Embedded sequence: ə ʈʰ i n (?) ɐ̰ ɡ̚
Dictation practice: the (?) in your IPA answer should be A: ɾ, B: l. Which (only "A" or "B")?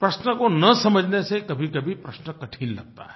B